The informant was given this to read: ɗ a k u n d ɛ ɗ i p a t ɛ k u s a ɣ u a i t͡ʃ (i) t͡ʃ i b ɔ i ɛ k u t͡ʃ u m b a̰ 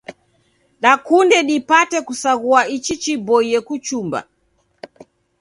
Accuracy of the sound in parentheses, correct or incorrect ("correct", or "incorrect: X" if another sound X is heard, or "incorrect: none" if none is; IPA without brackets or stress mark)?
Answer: correct